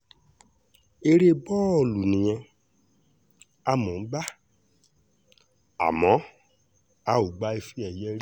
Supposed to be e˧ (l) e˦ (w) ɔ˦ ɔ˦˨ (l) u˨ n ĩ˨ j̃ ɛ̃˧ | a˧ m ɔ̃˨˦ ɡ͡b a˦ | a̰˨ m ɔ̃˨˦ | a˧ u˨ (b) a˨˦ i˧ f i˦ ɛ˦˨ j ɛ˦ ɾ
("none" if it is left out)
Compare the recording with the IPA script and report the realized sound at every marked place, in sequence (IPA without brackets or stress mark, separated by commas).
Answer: ɾ, b, l, ɡ͡b